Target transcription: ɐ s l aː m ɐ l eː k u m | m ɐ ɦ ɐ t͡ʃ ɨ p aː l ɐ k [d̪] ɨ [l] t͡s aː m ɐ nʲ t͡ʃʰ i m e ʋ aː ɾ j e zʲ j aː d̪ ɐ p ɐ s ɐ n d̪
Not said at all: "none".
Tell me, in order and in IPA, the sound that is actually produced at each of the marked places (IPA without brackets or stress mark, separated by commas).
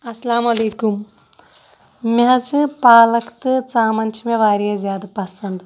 t̪, none